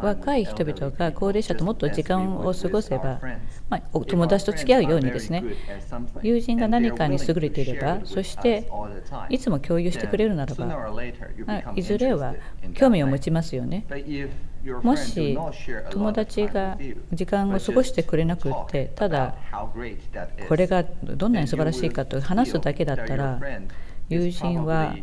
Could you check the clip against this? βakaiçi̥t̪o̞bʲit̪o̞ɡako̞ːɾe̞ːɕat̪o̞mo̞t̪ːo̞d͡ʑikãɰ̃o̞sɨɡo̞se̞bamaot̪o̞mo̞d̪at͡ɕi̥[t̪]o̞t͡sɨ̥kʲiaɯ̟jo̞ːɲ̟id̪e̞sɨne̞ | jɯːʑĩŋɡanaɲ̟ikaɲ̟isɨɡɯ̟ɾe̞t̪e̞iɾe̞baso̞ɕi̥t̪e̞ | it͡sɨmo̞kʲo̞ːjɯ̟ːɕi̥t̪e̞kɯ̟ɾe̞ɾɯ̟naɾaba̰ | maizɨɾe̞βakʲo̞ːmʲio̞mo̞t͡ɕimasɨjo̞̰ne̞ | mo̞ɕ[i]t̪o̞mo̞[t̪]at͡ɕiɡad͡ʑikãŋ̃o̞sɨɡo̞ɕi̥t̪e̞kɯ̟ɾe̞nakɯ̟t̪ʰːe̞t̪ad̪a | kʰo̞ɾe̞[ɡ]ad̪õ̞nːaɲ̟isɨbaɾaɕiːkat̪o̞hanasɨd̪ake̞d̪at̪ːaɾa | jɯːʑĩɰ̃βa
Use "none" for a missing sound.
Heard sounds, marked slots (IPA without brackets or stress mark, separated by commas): t̪, i, d̪, ɡ